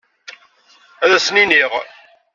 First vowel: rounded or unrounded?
unrounded